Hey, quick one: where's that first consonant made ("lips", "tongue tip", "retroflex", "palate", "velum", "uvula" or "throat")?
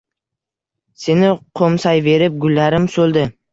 tongue tip